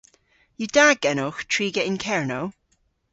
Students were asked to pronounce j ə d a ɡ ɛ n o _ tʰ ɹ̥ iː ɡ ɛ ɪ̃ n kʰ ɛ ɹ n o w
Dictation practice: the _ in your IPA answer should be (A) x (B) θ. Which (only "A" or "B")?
A